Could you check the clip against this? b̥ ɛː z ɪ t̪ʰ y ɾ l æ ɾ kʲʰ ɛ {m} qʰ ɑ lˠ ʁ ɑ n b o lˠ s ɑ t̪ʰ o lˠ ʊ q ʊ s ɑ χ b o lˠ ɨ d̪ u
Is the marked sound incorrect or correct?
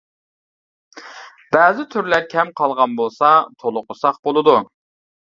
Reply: correct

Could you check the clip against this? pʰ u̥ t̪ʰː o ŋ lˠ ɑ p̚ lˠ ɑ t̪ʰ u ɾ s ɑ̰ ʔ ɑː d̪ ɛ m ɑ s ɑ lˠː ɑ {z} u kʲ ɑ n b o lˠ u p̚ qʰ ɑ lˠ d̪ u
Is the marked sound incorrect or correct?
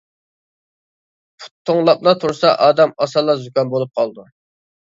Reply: correct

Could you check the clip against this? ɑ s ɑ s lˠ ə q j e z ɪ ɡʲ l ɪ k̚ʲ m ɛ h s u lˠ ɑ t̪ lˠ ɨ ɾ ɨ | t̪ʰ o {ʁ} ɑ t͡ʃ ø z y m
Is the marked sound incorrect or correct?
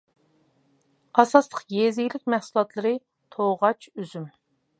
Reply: correct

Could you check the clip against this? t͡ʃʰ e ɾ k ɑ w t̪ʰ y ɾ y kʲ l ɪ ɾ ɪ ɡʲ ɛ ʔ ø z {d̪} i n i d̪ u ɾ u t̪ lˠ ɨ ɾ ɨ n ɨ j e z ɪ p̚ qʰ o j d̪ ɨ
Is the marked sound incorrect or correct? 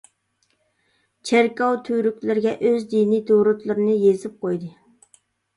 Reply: correct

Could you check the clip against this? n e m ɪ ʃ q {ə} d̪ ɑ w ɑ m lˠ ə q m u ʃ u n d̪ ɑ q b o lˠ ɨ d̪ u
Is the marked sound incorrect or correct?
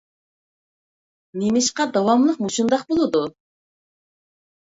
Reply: incorrect: ɑ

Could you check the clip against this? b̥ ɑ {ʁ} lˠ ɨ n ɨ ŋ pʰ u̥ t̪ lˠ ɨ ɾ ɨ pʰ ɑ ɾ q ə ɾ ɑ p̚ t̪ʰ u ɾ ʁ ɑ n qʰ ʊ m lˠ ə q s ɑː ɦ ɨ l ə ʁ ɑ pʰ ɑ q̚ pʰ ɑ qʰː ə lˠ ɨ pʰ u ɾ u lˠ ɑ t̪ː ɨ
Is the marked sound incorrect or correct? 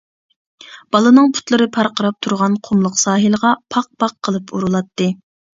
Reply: incorrect: none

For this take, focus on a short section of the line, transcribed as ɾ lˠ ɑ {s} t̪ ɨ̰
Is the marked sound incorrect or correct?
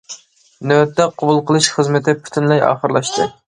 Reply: incorrect: ʃ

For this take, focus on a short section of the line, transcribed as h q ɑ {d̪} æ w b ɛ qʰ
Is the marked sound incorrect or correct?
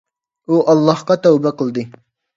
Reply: incorrect: t̪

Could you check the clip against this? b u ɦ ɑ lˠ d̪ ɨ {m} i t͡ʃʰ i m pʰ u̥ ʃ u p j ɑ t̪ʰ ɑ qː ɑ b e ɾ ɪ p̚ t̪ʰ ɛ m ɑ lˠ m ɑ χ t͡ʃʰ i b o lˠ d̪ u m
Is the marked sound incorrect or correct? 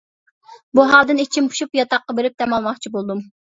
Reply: incorrect: n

